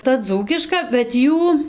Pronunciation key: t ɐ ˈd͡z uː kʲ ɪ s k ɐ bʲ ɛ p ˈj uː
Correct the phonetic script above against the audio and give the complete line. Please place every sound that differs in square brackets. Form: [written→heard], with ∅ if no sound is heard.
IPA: t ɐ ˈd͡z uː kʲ ɪ [s→ʃ] k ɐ bʲ ɛ [p→t] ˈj uː